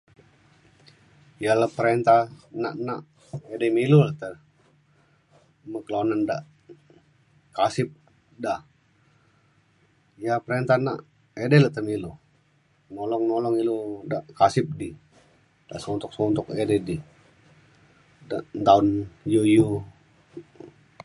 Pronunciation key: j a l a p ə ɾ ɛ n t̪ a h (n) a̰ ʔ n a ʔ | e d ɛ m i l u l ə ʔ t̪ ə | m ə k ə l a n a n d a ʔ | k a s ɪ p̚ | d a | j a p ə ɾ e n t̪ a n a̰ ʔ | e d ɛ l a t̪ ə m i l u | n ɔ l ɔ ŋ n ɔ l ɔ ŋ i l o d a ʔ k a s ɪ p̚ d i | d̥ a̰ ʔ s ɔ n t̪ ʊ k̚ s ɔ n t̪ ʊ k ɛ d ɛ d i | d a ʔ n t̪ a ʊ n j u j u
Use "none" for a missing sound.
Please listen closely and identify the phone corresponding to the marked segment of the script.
n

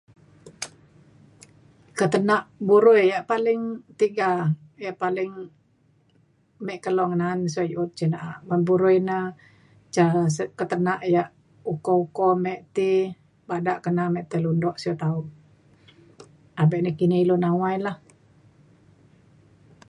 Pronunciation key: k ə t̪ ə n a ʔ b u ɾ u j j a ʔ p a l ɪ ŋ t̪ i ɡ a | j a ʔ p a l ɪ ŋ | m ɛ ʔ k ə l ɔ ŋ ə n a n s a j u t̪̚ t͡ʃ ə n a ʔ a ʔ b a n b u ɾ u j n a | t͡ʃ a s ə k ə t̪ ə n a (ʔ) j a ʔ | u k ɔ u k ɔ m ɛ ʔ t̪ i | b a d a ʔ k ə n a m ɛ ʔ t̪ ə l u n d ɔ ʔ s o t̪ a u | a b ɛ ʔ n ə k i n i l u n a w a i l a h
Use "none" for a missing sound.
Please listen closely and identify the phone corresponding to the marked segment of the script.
ʔ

